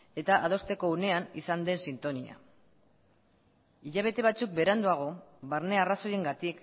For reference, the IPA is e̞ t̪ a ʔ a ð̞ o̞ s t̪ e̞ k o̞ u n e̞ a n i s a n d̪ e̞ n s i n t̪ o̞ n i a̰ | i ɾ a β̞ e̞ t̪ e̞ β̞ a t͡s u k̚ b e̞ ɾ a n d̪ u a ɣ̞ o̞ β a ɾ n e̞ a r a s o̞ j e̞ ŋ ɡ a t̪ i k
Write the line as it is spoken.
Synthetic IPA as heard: e̞ t̪ a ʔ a ð̞ o̞ s t̪ e̞ k o̞ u n e̞ a n i s a n d̪ e̞ n s i n t̪ o̞ n i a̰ | i ʎ a β̞ e̞ t̪ e̞ β̞ a t͡s u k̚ b e̞ ɾ a n d̪ u a ɣ̞ o̞ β a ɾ n e̞ a r a s o̞ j e̞ ŋ ɡ a t̪ i k